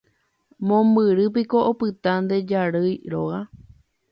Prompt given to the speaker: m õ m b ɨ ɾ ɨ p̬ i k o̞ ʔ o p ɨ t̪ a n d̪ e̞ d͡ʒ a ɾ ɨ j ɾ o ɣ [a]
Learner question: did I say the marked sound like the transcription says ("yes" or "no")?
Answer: yes